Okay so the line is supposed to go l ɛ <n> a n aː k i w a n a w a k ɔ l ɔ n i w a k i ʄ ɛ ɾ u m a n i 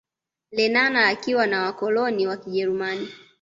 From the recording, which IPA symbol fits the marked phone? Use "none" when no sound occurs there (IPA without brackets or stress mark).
n